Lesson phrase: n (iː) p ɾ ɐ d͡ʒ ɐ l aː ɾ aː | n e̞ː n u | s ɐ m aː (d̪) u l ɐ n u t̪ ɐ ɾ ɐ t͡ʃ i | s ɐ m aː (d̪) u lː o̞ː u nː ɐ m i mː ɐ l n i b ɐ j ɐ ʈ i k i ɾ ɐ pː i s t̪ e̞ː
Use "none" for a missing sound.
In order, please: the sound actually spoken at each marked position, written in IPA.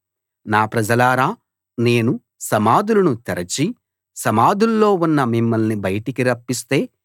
aː, d̪, d̪

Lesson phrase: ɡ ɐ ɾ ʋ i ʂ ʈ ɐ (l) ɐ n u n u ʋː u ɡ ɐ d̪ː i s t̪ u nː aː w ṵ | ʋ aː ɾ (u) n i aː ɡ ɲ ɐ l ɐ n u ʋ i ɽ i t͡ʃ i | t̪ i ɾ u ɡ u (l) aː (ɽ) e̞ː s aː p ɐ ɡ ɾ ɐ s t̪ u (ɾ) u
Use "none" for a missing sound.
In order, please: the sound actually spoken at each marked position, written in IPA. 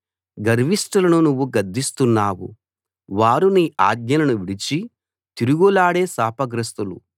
l, u, l, ɽ, l

